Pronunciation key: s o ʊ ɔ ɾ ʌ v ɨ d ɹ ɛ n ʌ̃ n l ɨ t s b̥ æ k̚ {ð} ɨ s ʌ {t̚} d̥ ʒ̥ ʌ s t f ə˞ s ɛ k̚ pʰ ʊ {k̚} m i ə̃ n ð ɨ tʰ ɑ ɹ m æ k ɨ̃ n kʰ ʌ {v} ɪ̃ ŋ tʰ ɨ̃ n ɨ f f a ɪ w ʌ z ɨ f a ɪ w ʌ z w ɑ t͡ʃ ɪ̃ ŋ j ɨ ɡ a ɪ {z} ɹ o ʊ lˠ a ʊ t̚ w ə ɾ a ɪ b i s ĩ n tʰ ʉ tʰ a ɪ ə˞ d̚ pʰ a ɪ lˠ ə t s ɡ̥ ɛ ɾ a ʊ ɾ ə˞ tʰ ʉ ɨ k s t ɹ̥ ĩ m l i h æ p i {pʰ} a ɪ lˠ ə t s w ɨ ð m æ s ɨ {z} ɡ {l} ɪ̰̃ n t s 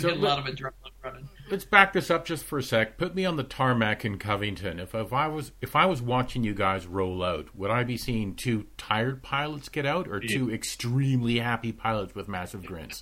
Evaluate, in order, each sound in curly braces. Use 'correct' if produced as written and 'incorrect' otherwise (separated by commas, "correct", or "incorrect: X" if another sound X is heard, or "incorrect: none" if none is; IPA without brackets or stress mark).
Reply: correct, incorrect: p̚, incorrect: t̚, correct, correct, correct, incorrect: v, incorrect: ɹ